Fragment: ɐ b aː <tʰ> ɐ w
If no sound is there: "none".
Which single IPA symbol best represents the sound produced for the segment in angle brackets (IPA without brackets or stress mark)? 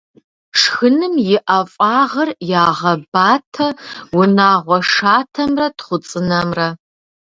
tʰ